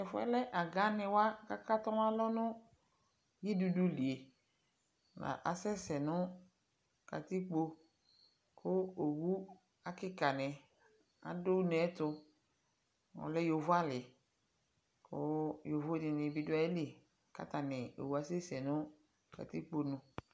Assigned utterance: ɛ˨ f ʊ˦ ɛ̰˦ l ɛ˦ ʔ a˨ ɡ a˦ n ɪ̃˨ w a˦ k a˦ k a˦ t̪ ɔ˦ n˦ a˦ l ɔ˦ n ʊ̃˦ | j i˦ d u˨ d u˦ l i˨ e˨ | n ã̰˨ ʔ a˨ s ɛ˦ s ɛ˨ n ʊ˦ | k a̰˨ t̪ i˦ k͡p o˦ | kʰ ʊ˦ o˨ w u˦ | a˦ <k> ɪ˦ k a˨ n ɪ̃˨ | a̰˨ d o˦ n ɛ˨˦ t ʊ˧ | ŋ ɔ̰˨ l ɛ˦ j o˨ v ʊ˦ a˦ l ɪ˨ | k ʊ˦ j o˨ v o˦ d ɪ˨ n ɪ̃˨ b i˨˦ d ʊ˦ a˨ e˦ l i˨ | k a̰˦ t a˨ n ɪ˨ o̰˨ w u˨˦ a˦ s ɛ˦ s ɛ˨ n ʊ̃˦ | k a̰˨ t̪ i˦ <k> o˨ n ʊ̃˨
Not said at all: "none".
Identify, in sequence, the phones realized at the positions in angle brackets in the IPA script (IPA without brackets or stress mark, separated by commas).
k, k͡p